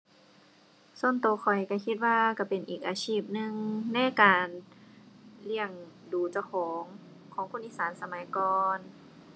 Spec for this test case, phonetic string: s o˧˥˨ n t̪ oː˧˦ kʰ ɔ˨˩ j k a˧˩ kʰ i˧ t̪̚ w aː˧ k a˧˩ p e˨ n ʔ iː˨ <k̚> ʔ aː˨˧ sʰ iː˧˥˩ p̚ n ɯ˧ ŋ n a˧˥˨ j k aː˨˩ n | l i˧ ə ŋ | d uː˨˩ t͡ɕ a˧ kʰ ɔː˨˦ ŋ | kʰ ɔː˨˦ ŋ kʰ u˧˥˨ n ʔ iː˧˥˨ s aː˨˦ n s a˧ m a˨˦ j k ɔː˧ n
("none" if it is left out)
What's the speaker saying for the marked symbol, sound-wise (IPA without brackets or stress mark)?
k̚